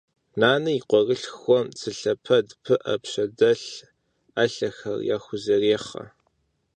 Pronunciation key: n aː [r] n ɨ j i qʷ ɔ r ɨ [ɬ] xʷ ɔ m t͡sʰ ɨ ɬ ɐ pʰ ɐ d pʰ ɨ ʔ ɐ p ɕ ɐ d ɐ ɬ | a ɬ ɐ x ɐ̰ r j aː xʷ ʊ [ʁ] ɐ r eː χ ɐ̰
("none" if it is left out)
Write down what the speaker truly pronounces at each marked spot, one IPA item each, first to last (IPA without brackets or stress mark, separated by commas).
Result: none, ɬ, z